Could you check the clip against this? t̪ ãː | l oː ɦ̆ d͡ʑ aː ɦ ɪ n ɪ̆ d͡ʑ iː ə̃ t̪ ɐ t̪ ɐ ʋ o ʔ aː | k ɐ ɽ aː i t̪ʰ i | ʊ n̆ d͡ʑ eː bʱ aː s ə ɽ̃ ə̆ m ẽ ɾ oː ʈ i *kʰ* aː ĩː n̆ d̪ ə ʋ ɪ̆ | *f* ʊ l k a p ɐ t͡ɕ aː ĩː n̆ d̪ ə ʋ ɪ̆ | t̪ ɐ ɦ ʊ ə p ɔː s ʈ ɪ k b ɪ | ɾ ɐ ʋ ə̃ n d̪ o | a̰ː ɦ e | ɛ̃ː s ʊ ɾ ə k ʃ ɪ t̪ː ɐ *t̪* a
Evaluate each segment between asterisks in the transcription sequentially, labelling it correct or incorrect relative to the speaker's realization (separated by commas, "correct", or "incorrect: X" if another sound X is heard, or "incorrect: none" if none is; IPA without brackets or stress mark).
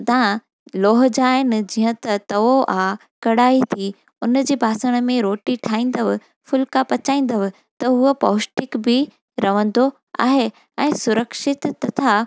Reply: incorrect: ʈʰ, correct, incorrect: t̪ʰ